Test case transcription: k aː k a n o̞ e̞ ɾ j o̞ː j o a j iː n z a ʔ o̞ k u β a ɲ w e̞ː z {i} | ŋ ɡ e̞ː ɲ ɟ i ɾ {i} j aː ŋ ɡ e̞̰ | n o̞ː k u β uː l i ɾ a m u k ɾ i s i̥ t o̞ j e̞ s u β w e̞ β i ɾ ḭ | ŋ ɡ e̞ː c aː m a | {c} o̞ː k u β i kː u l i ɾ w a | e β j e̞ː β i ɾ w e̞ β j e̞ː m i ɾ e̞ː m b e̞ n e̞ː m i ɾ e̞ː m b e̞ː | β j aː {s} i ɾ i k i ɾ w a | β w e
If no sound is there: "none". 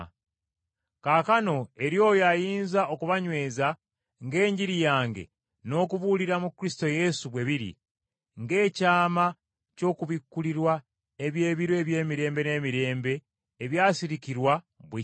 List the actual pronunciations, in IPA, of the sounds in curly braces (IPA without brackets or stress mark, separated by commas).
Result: a, i, c, s